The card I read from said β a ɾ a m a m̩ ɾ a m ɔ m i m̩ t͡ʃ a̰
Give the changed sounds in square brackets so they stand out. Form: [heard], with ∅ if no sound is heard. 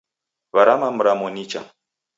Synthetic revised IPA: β a ɾ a m a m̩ ɾ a m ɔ [n] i [∅] t͡ʃ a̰